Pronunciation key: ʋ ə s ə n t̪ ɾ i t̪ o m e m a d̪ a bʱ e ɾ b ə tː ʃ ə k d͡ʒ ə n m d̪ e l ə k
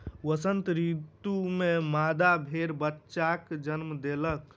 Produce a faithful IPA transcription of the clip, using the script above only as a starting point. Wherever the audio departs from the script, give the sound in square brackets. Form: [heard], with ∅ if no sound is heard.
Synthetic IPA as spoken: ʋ ə s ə n t̪ ɾ i t̪ [u] m e m a d̪ a bʱ e ɾ b ə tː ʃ [a] k d͡ʒ ə n m d̪ e l ə k